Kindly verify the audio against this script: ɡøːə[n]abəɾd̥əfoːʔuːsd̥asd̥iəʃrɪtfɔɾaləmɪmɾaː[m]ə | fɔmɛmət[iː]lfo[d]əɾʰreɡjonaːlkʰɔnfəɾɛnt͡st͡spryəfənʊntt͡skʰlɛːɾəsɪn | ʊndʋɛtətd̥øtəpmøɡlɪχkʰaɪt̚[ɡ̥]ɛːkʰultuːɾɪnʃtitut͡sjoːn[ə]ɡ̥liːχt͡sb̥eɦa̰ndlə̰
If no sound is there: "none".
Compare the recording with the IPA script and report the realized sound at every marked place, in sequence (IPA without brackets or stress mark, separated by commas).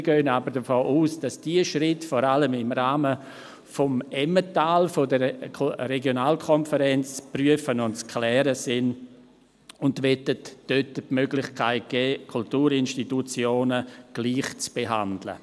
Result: n, m, aː, d, ɡ̥, ə